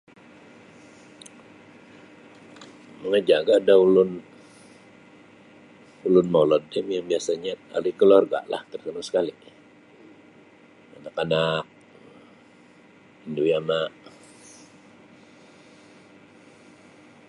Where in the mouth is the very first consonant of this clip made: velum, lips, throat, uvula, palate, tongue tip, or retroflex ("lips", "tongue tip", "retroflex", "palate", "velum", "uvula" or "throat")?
lips